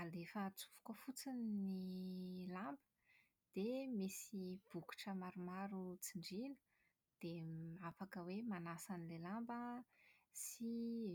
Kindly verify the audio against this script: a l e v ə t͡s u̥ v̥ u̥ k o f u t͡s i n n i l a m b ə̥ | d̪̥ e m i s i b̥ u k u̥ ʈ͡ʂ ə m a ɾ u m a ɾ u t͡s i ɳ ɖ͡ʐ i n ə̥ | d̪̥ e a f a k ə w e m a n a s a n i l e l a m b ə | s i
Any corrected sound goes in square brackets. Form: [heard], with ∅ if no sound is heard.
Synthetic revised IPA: a l e [f] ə t͡s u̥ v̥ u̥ k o f u t͡s i n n i l a m b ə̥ | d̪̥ e m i s i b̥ u k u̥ ʈ͡ʂ ə m a ɾ u m a ɾ u t͡s i ɳ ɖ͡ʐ i n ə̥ | d̪̥ e a f a k ə w e m a n a s a n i l e l a m b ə | s i